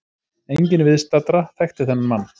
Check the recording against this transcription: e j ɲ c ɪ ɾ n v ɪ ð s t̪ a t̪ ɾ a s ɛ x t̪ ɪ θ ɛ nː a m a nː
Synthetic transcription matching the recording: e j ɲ c ɪ n v ɪ ð s t̪ a t̪ ɾ a θ ɛ x t̪ ɪ θ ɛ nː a m a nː